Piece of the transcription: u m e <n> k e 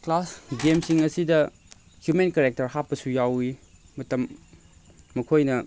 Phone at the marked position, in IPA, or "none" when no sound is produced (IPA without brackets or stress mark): n